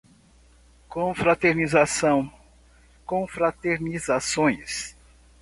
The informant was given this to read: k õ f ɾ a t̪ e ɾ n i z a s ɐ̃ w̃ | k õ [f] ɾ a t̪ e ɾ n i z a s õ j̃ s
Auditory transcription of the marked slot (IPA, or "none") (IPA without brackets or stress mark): f